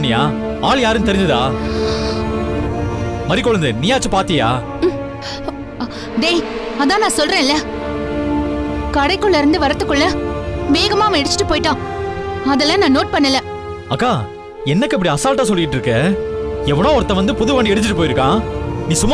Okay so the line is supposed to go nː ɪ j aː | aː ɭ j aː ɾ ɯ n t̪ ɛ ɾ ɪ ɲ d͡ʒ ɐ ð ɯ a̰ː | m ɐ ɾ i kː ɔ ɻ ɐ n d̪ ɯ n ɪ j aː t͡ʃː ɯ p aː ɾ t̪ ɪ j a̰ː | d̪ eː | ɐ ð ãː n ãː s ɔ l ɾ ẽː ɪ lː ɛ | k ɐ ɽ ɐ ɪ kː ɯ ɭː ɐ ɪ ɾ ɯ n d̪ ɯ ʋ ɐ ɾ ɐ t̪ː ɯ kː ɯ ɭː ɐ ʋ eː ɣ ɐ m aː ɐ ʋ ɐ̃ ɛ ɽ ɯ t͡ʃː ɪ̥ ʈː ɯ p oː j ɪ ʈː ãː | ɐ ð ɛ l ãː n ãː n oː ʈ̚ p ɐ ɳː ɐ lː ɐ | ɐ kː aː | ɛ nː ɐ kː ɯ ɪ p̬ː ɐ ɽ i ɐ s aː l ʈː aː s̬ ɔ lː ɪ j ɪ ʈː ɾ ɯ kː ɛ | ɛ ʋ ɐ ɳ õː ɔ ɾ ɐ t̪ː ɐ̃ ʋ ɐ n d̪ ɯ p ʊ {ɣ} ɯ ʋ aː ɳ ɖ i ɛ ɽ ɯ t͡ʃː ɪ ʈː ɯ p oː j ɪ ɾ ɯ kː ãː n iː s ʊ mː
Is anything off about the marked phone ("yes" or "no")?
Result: yes